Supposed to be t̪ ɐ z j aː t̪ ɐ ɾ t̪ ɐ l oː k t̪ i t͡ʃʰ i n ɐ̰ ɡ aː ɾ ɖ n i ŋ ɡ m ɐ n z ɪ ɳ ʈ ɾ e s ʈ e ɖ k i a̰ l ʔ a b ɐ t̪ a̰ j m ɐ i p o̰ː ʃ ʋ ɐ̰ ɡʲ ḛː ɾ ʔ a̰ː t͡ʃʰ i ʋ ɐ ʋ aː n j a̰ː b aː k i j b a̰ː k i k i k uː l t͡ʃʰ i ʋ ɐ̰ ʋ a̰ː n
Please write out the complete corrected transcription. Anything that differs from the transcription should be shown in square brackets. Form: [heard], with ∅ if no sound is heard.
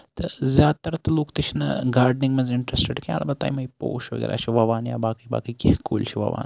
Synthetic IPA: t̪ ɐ z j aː t̪ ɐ ɾ t̪ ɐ l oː k t̪ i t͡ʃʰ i n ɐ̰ ɡ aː ɾ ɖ n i ŋ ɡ m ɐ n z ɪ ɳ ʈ ɾ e s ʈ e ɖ k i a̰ l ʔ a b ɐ t̪ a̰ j m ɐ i p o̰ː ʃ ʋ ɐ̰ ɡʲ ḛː ɾ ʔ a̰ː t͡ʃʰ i ʋ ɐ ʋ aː n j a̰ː b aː k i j b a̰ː k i k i k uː l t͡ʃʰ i ʋ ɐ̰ ʋ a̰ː n